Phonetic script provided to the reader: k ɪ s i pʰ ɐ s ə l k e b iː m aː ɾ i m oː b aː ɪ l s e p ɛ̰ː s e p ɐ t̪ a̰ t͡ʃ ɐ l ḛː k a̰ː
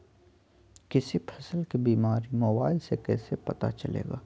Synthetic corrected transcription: k ɪ s i pʰ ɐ s ə l k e b iː m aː ɾ i m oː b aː ɪ l s e k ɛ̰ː s e p ɐ t̪ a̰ t͡ʃ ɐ l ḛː ɡ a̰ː